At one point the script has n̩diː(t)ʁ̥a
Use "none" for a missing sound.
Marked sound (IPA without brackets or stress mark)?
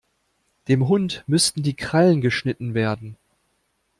k